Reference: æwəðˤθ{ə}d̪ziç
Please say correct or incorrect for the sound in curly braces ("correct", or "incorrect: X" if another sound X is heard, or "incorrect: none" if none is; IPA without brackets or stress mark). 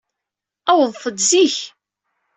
correct